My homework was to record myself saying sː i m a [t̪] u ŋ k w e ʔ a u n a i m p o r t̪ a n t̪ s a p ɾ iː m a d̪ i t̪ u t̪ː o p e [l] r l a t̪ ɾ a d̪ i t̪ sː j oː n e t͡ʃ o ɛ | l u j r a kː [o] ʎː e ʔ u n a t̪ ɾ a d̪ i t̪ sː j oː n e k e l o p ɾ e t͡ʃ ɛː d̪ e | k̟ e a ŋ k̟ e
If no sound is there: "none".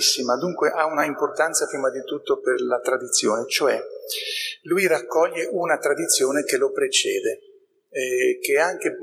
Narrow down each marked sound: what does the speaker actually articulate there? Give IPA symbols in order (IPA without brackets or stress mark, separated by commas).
d̪, none, ɔ